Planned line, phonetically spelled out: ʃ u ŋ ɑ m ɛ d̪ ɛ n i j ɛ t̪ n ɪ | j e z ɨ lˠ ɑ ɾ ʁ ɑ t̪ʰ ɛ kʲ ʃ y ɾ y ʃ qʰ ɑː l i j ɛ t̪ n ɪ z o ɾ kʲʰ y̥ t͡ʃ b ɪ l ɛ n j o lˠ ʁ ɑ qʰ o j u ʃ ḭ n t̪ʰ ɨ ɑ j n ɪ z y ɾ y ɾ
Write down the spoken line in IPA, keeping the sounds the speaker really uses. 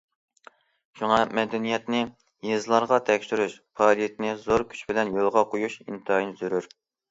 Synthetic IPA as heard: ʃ u ŋ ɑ m ɛ d̪ ɛ n i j ɛ t̪ n ɪ | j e z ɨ lˠ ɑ ɾ ʁ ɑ t̪ʰ ɛ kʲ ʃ y ɾ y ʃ pʰ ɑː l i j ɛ t̪ n ɪ z o ɾ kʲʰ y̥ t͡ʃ b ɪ l ɛ n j o lˠ ʁ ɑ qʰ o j u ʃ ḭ n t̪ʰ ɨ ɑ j n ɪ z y ɾ y ɾ